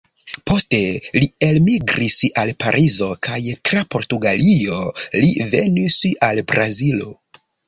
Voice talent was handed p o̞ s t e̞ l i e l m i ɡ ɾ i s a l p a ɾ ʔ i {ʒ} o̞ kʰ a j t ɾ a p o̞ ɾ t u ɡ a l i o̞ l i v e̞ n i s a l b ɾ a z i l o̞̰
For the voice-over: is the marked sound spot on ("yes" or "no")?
no